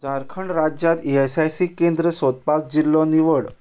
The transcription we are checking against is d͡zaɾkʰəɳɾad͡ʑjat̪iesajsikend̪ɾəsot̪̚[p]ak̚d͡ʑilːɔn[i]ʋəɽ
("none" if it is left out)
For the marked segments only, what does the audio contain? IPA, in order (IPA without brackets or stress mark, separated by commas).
p, i